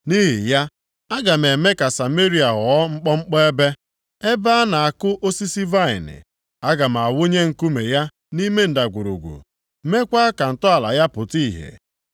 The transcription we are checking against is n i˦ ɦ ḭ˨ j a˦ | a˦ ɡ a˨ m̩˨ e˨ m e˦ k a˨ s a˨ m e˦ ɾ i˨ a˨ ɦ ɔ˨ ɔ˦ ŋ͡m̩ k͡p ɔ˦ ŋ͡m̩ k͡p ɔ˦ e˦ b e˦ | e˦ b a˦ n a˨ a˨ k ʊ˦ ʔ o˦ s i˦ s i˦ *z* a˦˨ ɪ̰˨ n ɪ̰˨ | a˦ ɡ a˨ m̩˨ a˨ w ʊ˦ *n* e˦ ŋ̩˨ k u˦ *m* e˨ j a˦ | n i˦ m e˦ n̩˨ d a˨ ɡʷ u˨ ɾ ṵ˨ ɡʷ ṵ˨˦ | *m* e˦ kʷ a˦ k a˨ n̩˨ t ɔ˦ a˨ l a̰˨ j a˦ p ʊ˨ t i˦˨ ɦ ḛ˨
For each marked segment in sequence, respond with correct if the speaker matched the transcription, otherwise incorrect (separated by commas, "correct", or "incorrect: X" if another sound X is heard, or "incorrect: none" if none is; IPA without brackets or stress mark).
incorrect: v, incorrect: ɲ, correct, correct